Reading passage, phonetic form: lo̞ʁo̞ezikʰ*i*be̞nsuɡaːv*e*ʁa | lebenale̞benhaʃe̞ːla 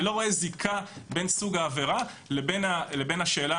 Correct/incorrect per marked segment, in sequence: incorrect, correct

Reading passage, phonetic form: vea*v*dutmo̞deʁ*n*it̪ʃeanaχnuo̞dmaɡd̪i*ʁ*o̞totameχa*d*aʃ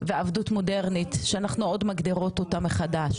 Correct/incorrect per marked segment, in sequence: correct, correct, correct, correct

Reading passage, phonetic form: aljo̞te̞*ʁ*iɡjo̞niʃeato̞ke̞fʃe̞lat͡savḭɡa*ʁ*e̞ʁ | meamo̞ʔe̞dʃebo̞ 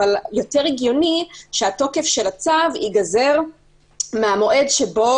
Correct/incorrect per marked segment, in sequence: correct, incorrect

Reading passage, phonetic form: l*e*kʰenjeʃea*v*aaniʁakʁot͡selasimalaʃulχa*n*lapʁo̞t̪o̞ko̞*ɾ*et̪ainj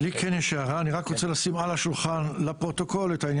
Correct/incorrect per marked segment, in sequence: incorrect, incorrect, correct, incorrect

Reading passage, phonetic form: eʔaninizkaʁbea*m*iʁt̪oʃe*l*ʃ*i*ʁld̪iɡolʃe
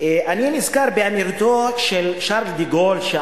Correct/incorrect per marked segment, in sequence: correct, correct, incorrect

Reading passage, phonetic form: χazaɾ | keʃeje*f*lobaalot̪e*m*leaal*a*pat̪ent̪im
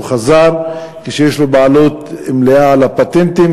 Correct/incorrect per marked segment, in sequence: incorrect, correct, correct

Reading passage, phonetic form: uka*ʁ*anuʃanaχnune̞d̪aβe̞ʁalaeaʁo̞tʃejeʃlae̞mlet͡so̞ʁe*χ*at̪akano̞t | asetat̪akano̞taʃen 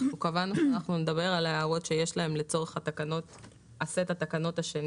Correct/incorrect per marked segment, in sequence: incorrect, correct

